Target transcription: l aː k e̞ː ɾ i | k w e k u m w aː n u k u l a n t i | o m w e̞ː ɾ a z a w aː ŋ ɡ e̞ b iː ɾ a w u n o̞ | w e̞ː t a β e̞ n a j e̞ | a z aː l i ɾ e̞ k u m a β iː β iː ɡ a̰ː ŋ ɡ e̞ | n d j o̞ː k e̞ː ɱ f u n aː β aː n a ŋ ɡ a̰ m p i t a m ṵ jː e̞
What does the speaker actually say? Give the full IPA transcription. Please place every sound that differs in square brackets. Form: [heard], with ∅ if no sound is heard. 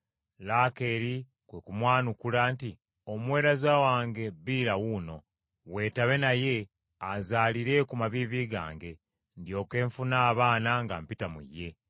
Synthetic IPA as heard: l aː k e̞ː ɾ i | k w e k u m w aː n u k u l a n t i | o m w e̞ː ɾ a z a w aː ŋ ɡ e̞ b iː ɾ a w u n o̞ | w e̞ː t a β e̞ n a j e̞ | a z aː l i ɾ e̞ k u m a β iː β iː ɡ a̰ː ŋ ɡ e̞ | n d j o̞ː k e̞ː ɱ f u n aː β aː n a ŋ ɡ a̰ m p i t a m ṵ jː e̞

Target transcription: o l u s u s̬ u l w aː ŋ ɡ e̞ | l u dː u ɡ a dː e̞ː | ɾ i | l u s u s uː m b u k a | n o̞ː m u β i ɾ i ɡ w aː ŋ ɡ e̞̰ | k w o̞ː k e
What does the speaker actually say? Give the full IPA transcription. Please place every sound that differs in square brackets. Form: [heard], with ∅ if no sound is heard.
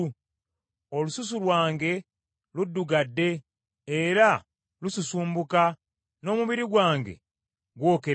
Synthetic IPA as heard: o l u s u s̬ u l w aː ŋ ɡ e̞ | l u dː u ɡ a dː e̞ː | ɾ [a] | l u s u s uː m b u k a | n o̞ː m u β i ɾ i ɡ w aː ŋ ɡ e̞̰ | [ɡ] w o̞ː k e

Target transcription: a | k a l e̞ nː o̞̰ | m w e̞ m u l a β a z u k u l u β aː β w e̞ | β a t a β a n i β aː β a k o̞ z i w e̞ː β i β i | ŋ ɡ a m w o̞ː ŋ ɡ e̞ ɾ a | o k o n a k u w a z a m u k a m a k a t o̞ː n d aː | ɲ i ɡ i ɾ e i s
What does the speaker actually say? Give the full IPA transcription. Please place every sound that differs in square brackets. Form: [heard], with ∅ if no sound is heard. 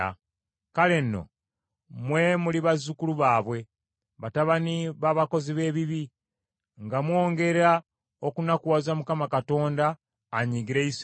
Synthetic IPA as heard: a | k a l e̞ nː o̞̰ | m w e̞ m u l [i] β a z u k u l u β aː β w e̞ | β a t a β a n i β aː β a k o̞ z i [β] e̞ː β i β i | ŋ ɡ a m w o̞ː ŋ ɡ e̞ ɾ a | o k [u] n a k u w a z a m u k a m a k a t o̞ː n d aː | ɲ i ɡ i ɾ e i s

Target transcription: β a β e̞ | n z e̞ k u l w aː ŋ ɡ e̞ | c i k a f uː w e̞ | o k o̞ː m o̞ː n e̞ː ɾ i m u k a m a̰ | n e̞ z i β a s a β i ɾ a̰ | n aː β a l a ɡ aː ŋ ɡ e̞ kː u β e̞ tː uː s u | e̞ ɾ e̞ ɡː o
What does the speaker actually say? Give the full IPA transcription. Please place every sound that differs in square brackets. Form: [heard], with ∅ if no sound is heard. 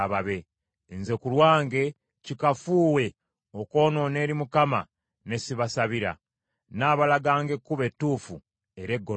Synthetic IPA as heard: β a β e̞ | n z e̞ k u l w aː ŋ ɡ e̞ | c i k a f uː w e̞ | o k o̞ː [n] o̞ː n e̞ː ɾ i m u k a m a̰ | n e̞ [s] i β a s a β i ɾ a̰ | n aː β a l a ɡ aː ŋ ɡ e̞ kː u β e̞ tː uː [f] u | e̞ ɾ e̞ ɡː o

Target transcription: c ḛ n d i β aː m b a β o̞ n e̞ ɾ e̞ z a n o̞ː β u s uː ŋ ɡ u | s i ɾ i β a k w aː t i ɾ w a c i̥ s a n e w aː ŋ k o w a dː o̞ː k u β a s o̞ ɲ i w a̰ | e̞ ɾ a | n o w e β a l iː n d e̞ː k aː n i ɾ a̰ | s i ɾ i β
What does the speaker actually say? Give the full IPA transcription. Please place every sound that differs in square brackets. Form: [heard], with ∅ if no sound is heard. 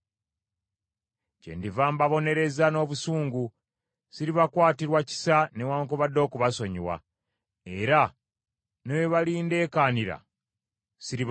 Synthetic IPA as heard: c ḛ n d i [v] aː m b a β o̞ n e̞ ɾ e̞ z a n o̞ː β u s uː ŋ ɡ u | s i ɾ i β a k w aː t i ɾ w a c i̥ s a n e w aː ŋ k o [β] a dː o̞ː k u β a s o̞ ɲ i w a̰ | e̞ ɾ a | n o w e β a l iː n d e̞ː k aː n i ɾ a̰ | s i ɾ i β

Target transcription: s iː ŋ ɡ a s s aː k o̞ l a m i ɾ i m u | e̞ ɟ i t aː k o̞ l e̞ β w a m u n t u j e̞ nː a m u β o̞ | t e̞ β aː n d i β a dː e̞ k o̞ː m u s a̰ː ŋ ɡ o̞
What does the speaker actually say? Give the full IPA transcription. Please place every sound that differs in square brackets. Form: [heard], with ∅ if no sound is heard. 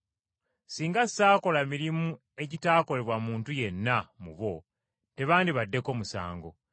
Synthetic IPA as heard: s iː ŋ ɡ a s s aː k o̞ l a m i ɾ i m u | e̞ ɟ i t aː k o̞ l e̞ β w a m [uː] n t u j e̞ nː a m u β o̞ | t e̞ β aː n d i β a dː e̞ k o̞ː m u s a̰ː ŋ ɡ o̞

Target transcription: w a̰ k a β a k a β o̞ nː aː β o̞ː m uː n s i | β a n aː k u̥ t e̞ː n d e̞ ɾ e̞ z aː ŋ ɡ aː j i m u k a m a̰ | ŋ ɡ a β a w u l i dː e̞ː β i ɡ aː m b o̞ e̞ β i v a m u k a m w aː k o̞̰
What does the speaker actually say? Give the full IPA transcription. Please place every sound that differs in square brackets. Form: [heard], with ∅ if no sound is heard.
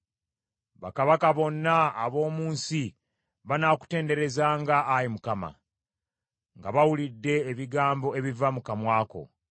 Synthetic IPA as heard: [β] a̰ k a β a k a β o̞ nː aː β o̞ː m uː n s i | β a n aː k u̥ t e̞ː n d e̞ ɾ e̞ z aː ŋ ɡ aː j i m u k a m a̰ | ŋ ɡ a β a w u l i dː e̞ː β i ɡ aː m b o̞ e̞ β i v a m u k a m w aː k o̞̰

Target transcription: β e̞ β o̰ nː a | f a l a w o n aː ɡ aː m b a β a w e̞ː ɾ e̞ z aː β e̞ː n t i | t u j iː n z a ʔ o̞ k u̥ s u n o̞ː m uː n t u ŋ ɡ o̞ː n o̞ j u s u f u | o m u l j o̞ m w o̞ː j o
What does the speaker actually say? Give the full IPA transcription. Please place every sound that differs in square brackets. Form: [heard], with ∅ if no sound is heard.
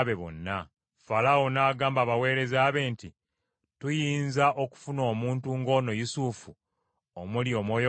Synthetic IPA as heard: β e̞ β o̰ nː a | f a l a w o n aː ɡ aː m b a β a w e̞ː ɾ e̞ z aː β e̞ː n t i | t u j iː n z a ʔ o̞ k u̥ [f] u n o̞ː m uː n t u ŋ ɡ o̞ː n o̞ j u s u f u | o m u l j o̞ m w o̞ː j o

